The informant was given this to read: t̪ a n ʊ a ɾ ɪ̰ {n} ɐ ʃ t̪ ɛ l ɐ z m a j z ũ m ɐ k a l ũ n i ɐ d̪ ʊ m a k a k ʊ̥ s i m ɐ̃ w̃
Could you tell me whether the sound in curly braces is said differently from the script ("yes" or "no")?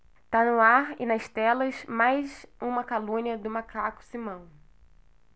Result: no